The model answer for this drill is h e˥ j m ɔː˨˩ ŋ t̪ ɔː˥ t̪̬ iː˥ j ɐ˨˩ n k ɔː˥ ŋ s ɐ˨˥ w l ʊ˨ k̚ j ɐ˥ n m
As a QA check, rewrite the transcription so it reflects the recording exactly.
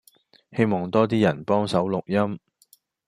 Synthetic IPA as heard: h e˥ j m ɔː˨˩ ŋ t̪ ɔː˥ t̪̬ iː˥ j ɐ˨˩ n p ɔː˥ ŋ s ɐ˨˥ w l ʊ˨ k̚ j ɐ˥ m